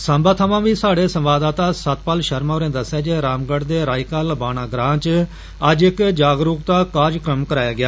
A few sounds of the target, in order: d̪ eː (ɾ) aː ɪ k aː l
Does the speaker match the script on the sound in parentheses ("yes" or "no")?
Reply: yes